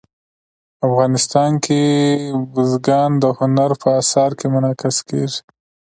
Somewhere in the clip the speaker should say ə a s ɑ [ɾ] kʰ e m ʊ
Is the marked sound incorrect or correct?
correct